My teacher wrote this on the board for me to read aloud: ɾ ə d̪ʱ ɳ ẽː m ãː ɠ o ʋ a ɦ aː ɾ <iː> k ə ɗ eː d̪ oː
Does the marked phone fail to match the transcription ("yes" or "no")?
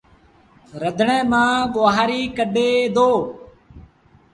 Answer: no